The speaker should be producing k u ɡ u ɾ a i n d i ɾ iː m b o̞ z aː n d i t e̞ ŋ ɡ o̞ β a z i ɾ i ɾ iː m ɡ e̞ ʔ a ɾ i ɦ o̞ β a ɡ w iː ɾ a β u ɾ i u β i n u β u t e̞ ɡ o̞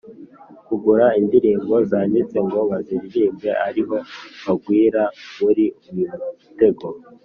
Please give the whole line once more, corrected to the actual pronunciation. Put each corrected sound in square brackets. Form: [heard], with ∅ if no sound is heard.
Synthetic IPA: k u ɡ u ɾ a i n d i ɾ iː m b o̞ z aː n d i [t͡s] e̞ ŋ ɡ o̞ β a z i ɾ i ɾ iː m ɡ e̞ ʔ a ɾ i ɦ o̞ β a ɡ w iː ɾ a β u ɾ i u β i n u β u t e̞ ɡ o̞

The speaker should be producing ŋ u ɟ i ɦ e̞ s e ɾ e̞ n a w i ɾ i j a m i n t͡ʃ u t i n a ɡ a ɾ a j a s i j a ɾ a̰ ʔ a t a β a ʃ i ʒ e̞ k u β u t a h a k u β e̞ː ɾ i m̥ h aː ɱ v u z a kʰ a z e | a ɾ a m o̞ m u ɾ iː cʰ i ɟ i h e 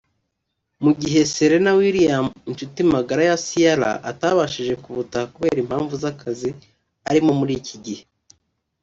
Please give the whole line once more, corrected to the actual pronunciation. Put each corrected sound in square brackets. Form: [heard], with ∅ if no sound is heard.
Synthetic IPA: [m] u ɟ i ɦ e̞ s e ɾ e̞ n a w i ɾ i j a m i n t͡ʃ u t i [m] a ɡ a ɾ a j a s i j a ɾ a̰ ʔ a t a β a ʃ i ʒ e̞ k u β u t a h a k u β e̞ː ɾ i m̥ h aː ɱ v u z a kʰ a z [i] | a ɾ [i] m o̞ m u ɾ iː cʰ i ɟ i h e

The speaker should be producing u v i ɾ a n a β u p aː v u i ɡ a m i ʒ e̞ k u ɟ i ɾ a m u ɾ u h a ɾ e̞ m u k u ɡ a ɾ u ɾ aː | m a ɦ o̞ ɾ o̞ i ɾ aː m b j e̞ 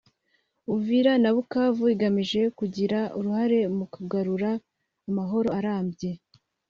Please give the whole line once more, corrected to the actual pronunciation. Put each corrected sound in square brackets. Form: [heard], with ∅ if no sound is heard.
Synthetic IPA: u v i ɾ a n a β u [k] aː v u i ɡ a m i ʒ e̞ k u ɟ i ɾ a [∅] u ɾ u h a ɾ e̞ m u k u ɡ a ɾ u ɾ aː | m a ɦ o̞ ɾ o̞ [a] ɾ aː m b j e̞

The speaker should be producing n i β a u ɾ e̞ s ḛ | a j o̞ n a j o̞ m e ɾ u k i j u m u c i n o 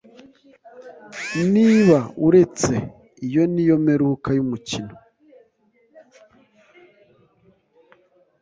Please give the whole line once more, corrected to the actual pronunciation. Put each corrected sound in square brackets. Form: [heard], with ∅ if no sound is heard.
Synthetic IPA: n i β a u ɾ e̞ [t͡s] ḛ | [i] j o̞ n [i] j o̞ m e ɾ u k [a] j u m u c i n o

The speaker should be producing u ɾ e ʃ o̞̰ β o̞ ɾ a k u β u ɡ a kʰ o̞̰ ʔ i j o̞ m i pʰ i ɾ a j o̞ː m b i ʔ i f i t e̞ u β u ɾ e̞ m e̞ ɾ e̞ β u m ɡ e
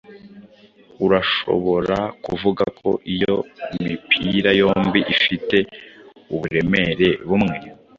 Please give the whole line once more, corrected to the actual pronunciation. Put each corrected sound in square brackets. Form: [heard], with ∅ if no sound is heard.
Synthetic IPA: u ɾ [a] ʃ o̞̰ β o̞ ɾ a k u [v] u ɡ a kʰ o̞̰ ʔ i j o̞ m i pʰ i ɾ a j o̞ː m b i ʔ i f i t e̞ u β u ɾ e̞ m e̞ ɾ e̞ β u m [ŋ] e

